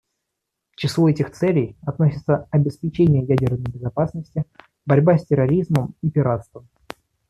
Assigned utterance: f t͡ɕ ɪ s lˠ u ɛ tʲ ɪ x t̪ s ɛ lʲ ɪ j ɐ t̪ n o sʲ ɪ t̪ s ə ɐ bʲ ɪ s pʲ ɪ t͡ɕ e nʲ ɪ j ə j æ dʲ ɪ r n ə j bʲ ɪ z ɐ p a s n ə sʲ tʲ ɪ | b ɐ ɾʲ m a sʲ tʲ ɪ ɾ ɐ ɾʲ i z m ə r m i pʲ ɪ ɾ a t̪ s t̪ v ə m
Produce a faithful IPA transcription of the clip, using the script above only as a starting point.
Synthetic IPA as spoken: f t͡ɕ ɪ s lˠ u ɛ tʲ ɪ x t̪ s ɛ lʲ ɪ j ɐ t̪ n o sʲ ɪ t̪ s ə ɐ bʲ ɪ s pʲ ɪ t͡ɕ e nʲ ɪ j ə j æ dʲ ɪ r n ə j bʲ ɪ z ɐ p a s n ə sʲ tʲ ɪ | b ɐ ɾʲ b a sʲ tʲ ɪ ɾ ɐ ɾʲ i z m ə m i pʲ ɪ ɾ a t̪ s t̪ v ə m